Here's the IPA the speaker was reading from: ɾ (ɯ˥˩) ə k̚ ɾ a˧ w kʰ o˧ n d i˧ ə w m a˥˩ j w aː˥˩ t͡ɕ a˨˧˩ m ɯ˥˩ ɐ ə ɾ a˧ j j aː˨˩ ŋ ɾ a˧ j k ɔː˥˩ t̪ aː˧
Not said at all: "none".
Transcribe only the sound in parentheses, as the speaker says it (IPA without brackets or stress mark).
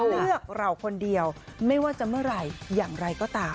ɯ˥˩